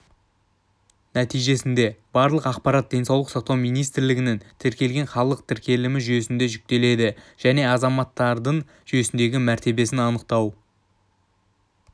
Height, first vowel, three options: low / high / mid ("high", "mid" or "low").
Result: low